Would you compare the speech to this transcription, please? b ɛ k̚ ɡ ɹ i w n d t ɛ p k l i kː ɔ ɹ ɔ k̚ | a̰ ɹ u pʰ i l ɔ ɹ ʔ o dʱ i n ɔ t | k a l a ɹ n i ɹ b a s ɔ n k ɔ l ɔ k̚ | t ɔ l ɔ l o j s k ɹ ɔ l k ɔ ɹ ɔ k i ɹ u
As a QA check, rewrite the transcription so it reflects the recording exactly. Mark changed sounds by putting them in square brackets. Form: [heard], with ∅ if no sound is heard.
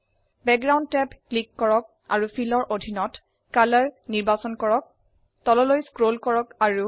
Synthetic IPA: b ɛ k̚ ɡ ɹ [a] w n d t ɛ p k l i kː ɔ ɹ ɔ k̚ | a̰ ɹ u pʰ i l ɔ ɹ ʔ o dʱ i n ɔ t | k a l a ɹ n i ɹ b a s ɔ n k ɔ [ɹ] ɔ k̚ | t ɔ l ɔ l o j s k ɹ [o] l k ɔ ɹ ɔ k [a] ɹ u